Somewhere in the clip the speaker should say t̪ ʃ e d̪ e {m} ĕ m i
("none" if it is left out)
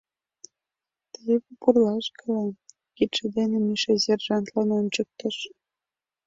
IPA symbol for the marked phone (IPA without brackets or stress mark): n